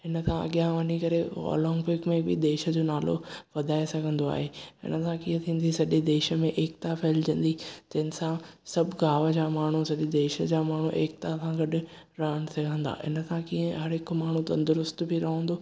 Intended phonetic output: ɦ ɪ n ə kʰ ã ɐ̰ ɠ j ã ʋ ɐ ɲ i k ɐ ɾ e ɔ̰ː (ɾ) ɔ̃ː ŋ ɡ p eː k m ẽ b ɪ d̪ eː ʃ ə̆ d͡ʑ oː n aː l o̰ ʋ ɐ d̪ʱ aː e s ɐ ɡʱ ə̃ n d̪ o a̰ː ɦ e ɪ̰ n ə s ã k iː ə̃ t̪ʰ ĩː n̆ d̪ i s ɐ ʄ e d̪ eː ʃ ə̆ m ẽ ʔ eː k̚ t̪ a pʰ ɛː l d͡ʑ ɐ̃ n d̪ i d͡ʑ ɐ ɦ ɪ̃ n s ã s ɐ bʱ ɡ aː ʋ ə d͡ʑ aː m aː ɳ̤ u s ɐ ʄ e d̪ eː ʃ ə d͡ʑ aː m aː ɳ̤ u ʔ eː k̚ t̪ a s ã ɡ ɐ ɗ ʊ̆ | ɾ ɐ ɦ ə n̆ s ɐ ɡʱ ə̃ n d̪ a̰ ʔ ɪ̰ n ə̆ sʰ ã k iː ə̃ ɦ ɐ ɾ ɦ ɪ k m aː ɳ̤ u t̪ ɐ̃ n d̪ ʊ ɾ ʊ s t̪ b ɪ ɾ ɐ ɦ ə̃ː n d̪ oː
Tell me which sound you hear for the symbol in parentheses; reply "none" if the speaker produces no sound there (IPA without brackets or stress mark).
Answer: l